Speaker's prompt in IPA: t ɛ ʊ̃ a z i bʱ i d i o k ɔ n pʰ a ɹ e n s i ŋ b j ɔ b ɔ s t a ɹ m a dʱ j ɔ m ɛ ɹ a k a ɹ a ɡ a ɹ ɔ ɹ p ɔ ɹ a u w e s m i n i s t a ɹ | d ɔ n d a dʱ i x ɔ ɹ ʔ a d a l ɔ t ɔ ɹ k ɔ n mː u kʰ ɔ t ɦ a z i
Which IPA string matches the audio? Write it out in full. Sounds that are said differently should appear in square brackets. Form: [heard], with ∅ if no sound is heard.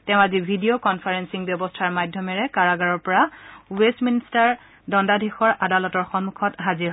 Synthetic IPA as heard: t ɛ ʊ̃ a z i bʱ i d i o k ɔ n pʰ a ɹ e n s i ŋ b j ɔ b ɔ s [tʰ] a ɹ m a dʱ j ɔ m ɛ ɹ [ɛ] k a ɹ a ɡ a ɹ ɔ ɹ p ɔ ɹ a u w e s m i n i s t a ɹ | d ɔ n d a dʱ i x ɔ ɹ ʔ a d a l ɔ t ɔ ɹ [x] ɔ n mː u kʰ ɔ t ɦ a z i